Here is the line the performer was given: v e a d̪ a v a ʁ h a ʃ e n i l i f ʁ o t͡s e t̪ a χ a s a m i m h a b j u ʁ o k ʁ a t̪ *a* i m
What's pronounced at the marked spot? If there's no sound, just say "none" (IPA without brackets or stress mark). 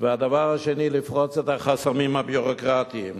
i